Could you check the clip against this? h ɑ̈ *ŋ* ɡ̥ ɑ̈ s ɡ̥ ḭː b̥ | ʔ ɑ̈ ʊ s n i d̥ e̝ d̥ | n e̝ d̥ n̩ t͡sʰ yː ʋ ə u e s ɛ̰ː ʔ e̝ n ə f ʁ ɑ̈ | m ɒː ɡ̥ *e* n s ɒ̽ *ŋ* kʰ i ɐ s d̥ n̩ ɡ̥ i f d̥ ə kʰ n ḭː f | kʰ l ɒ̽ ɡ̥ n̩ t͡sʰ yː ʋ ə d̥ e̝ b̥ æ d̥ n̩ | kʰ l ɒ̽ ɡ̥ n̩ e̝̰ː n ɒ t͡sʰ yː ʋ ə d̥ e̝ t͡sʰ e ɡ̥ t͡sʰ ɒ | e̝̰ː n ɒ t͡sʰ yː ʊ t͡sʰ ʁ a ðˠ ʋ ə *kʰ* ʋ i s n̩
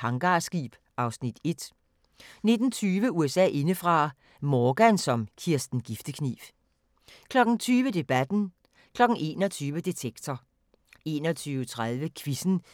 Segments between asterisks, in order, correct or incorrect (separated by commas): correct, incorrect, incorrect, correct